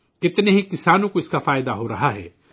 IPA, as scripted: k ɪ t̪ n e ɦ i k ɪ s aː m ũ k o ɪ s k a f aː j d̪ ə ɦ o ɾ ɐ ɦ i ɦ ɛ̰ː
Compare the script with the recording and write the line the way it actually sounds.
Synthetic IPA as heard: k ɪ t̪ n e ɦ i k ɪ s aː n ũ k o ɪ s k a f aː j d̪ a ɦ o ɾ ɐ ɦ a ɦ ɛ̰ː